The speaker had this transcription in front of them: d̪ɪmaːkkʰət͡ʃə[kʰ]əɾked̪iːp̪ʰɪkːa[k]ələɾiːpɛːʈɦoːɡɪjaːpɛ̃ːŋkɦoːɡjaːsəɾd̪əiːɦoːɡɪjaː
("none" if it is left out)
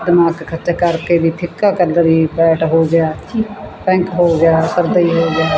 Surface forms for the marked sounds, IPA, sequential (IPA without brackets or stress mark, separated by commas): k, k